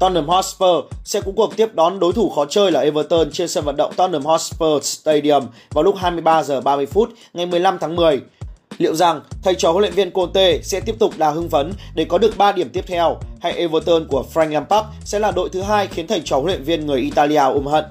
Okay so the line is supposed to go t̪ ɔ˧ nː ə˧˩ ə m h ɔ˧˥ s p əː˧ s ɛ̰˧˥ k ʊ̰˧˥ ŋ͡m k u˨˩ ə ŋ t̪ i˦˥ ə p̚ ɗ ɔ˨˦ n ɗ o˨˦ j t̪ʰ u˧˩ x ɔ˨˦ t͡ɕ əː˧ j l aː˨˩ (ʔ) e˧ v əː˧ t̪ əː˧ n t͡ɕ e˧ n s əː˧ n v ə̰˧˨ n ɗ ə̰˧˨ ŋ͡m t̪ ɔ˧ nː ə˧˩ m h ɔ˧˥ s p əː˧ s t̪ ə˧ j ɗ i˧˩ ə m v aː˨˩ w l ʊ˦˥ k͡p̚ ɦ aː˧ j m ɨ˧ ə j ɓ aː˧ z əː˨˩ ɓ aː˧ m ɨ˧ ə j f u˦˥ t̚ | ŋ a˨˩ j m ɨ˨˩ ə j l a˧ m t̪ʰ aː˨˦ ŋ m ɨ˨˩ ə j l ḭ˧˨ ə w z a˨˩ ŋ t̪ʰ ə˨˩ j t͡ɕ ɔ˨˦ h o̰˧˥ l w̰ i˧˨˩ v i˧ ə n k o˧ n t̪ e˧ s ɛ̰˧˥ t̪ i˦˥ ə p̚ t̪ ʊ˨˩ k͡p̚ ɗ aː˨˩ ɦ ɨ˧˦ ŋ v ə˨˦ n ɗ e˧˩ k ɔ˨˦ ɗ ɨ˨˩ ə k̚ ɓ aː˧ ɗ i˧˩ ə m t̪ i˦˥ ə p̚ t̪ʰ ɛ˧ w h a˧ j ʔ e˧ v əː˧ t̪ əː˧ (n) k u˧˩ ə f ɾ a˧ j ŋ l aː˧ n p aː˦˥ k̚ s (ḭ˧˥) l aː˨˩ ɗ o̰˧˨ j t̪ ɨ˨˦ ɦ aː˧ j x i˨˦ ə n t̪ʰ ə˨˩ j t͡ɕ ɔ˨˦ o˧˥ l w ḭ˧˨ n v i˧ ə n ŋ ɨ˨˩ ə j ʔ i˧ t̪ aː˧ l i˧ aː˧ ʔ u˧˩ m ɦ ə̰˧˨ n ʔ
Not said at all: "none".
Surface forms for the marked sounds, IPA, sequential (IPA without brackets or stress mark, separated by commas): ʔ, n, ɛ̰˧˥